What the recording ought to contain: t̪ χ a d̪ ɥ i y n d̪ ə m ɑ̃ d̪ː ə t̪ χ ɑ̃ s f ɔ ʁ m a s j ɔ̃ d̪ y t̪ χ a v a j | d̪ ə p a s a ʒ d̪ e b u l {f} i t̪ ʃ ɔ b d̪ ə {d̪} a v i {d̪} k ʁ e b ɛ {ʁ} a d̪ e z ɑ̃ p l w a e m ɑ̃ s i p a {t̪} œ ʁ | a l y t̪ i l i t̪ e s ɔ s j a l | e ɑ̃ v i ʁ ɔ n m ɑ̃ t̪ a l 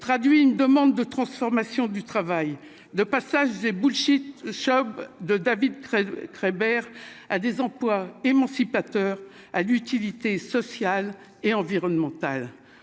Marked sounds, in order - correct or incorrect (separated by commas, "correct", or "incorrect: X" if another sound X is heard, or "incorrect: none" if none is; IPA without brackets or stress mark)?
incorrect: ʃ, correct, correct, correct, correct